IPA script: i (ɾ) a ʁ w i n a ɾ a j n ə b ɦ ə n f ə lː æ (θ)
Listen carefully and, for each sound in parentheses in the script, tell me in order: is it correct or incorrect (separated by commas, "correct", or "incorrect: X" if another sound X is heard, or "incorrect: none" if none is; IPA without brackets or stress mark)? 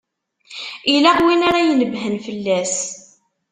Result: incorrect: l, incorrect: s